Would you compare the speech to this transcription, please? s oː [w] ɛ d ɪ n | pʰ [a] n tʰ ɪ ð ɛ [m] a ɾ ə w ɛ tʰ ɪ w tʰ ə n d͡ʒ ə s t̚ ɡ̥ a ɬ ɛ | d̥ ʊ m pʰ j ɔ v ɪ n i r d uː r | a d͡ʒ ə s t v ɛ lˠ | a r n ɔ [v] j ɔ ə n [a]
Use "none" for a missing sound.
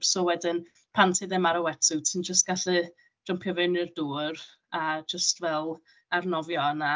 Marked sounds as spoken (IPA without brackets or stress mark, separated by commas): w, a, m, v, a